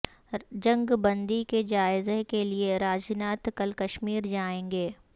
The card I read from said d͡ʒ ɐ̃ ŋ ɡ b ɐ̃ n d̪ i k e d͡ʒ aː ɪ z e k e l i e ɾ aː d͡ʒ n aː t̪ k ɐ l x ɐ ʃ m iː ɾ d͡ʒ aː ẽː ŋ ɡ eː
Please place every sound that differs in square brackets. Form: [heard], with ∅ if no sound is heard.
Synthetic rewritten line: d͡ʒ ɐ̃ ŋ ɡ b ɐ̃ n d̪ i k e d͡ʒ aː ɪ z e k e l i e ɾ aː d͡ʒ n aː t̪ k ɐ l [k] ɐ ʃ m iː ɾ d͡ʒ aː ẽː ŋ ɡ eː